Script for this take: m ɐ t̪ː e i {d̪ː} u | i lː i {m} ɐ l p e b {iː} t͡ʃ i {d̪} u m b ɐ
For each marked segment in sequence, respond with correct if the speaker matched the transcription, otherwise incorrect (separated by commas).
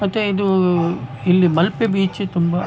incorrect, correct, correct, incorrect